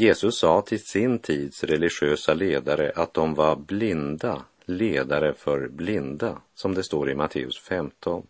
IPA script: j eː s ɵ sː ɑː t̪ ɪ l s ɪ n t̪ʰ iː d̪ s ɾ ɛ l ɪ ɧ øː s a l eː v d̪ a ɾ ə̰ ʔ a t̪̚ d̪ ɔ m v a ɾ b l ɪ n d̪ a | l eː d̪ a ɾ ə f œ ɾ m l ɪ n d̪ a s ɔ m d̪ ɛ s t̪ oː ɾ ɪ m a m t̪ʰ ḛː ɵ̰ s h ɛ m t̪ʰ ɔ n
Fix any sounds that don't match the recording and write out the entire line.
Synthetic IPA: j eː s ɵ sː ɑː t̪ʰ ɪ l s ɪ n t̪ʰ iː d̪ s ɾ ɛ l ɪ ɧ øː s a l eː d̪ a ɾ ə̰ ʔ a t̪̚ d̪ ɔ m v a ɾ b l ɪ n d̪ a | l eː d̪ a ɾ ə f œ ɾ b l ɪ n d̪ a s ɔ m d̪ ɛ s t̪ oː ɾ ɪ m a t̪ʰ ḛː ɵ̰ s f ɛ m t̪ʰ ɔ n